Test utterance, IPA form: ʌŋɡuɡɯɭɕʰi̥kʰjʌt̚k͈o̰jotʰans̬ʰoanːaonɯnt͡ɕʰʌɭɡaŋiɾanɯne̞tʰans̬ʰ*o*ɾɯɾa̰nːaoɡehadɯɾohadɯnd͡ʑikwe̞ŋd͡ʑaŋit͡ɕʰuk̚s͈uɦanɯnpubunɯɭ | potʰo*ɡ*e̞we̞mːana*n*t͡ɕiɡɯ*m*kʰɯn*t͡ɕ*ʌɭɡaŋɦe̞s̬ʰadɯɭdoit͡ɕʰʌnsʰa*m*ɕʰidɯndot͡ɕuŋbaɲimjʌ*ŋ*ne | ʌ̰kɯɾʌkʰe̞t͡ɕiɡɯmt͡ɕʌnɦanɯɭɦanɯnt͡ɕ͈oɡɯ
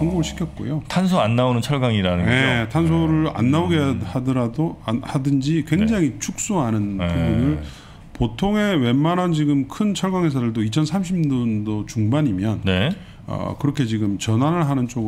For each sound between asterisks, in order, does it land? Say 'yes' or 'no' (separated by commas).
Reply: yes, no, yes, yes, no, yes, no